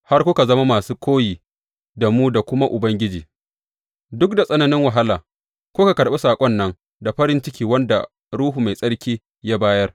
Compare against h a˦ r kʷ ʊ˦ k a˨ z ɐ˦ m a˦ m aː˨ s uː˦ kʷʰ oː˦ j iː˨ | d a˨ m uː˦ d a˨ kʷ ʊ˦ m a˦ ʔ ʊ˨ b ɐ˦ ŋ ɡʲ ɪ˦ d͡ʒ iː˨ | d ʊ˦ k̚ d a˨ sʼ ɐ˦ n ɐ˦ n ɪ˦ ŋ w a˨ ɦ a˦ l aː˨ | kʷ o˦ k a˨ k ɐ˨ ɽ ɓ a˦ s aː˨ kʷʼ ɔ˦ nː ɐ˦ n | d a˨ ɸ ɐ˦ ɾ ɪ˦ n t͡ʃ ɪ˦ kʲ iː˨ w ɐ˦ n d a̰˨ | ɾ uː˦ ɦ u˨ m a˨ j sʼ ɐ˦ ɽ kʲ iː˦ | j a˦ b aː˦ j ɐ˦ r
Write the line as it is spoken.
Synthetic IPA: h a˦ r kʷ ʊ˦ k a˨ z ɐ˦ m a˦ m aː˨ s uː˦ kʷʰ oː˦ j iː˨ | d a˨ m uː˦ d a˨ kʷ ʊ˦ m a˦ ʔ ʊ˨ b ɐ˦ ŋ ɡʲ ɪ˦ d͡ʒ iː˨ | d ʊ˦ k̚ d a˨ sʼ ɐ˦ n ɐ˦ n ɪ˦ ŋ w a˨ ɦ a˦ l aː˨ | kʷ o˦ k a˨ k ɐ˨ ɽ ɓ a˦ s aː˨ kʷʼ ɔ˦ nː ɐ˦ ŋ | d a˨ ɸ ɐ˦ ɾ ɪ˦ n t͡ʃ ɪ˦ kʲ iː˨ w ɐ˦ n d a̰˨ | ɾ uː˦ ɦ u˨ m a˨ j sʼ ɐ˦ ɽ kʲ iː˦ | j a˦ b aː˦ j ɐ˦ r

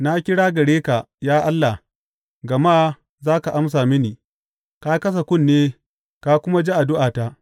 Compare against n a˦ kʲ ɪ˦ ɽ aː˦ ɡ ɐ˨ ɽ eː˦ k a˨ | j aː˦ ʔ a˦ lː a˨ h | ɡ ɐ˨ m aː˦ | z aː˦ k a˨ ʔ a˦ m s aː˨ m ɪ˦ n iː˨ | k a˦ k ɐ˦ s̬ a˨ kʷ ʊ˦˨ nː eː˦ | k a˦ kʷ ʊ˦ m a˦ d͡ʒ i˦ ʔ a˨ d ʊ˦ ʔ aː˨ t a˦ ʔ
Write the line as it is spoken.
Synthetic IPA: n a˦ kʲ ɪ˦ ɽ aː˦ ɡ ɐ˨ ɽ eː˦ k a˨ | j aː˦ ʔ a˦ lː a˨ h | ɡ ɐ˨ m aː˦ | z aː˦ k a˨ ʔ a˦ m s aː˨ m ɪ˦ n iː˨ | k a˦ k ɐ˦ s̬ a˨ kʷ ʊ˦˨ nː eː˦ | k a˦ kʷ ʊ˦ m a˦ d͡ʒ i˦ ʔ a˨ d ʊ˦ ʔ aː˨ t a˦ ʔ

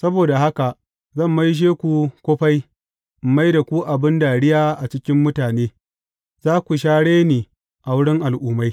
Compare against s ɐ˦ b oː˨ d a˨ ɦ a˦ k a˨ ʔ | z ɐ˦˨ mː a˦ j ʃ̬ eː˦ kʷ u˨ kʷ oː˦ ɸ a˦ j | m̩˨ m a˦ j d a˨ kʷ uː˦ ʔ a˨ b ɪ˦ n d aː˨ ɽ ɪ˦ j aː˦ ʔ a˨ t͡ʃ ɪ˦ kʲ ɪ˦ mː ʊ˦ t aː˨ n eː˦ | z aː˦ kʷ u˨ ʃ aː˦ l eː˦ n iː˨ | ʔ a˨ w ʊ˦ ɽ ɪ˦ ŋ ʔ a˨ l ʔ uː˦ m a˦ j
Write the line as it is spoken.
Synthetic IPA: s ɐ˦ b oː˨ d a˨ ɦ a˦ k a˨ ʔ | z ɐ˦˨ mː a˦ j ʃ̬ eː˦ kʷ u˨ kʷ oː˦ ɸ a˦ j | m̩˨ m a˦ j d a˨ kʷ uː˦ ʔ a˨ b ɪ˦ n d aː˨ ɽ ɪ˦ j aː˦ ʔ a˨ t͡ʃ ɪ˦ kʲ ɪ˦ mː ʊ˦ t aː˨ n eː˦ | z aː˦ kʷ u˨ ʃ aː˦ ɽ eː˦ n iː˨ | ʔ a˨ w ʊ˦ ɽ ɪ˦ ŋ ʔ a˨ l ʔ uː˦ m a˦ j

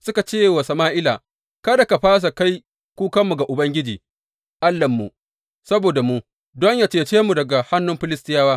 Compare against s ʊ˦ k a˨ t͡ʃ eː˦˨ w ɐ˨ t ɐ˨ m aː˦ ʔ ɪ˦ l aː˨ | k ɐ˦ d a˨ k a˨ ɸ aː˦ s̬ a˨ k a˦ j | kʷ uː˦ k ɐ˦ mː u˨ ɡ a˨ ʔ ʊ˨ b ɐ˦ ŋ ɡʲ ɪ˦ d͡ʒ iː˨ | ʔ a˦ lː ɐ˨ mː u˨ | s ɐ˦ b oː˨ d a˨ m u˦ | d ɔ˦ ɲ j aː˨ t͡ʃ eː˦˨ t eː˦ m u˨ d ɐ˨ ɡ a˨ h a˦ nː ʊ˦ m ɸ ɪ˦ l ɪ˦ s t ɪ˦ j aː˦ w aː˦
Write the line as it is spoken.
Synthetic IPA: s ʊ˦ k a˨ t͡ʃ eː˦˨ w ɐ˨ s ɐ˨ m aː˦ ʔ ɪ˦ l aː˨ | k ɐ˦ d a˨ k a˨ ɸ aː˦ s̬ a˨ k a˦ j | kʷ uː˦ k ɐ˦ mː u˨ ɡ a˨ ʔ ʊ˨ b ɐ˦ ŋ ɡʲ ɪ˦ d͡ʒ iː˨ | ʔ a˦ lː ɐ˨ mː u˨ | s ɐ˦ b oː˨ d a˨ m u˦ | d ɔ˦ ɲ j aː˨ t͡ʃ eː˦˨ t͡ʃ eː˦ m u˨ d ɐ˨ ɡ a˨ h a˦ nː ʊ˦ m ɸ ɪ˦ l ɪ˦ s t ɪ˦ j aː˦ w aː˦

